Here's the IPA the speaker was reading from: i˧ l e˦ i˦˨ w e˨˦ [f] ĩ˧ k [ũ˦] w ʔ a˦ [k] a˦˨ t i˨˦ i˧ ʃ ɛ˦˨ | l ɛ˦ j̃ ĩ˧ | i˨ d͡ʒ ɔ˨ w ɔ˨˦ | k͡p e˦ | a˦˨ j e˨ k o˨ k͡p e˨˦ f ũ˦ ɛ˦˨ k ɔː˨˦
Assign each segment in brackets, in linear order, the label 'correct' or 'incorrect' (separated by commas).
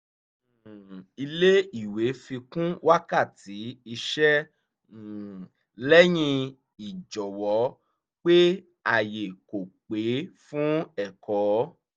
correct, correct, correct